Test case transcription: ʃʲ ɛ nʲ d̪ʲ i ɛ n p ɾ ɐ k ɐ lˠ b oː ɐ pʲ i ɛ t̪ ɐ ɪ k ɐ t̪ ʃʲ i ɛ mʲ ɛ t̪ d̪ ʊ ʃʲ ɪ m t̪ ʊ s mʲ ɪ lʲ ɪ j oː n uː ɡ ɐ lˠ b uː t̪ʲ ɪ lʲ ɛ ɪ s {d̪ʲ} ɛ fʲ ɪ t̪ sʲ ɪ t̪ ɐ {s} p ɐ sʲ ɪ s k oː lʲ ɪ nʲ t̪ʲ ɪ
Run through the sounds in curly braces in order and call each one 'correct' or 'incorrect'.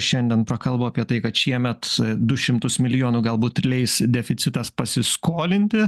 correct, correct

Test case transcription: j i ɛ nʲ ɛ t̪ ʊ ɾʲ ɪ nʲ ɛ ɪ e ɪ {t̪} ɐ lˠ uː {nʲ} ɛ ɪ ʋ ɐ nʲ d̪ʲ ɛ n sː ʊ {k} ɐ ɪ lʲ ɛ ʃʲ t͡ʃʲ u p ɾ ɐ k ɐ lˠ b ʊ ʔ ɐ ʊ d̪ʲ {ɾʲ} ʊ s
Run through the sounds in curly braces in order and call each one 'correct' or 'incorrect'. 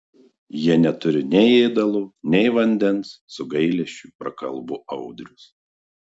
incorrect: d̪, correct, incorrect: ɡ, correct

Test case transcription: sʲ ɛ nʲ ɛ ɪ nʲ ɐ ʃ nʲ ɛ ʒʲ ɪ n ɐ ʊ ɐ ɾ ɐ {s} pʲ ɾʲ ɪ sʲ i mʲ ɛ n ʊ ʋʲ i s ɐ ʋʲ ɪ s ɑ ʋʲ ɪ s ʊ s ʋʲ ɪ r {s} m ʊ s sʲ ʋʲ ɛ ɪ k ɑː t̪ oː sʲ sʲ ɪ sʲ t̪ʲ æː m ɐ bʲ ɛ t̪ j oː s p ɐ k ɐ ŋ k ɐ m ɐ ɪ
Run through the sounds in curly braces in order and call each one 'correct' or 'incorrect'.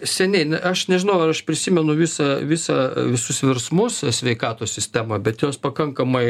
incorrect: ʃ, correct

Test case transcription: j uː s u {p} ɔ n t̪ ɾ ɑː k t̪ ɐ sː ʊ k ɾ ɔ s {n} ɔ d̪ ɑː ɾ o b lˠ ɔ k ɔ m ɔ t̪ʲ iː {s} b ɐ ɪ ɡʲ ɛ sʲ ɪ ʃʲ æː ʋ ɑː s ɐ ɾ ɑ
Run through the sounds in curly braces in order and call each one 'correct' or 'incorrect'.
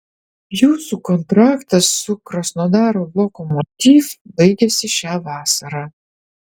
incorrect: k, correct, incorrect: f

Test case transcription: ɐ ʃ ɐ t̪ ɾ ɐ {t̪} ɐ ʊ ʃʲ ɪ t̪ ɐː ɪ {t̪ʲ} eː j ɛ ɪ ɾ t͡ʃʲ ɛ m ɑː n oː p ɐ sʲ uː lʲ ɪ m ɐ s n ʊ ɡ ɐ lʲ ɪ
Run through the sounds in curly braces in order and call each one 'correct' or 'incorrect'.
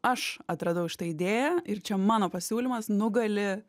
incorrect: d̪, incorrect: d̪ʲ

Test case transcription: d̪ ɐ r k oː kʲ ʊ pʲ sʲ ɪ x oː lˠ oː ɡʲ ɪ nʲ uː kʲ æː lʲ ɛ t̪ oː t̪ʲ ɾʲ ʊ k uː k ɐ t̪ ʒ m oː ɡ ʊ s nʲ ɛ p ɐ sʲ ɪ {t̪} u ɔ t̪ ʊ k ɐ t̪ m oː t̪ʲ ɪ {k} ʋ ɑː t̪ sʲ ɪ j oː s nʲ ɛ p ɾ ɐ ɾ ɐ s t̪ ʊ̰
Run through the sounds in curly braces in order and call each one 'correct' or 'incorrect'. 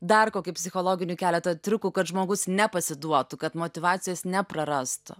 incorrect: d̪, incorrect: none

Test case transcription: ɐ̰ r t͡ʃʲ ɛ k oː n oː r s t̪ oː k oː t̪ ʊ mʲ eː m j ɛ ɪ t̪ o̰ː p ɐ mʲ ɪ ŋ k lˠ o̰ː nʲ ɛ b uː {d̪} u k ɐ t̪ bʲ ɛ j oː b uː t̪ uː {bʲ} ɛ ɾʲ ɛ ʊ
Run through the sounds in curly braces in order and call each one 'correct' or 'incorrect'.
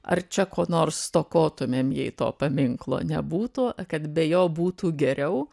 incorrect: t̪, incorrect: ɡʲ

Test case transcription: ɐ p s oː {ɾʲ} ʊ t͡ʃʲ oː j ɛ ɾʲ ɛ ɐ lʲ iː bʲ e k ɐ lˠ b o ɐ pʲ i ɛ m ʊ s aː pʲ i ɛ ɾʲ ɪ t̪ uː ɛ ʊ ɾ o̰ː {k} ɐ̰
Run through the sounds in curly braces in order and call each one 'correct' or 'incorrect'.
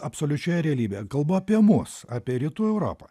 incorrect: lʲ, incorrect: p

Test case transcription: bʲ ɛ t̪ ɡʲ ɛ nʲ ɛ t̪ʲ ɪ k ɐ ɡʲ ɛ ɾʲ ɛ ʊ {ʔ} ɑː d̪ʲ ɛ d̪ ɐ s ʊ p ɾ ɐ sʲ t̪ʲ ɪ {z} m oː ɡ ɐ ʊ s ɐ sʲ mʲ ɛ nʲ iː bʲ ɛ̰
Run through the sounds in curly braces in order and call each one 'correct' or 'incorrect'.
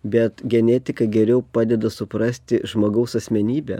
incorrect: p, incorrect: ʒ

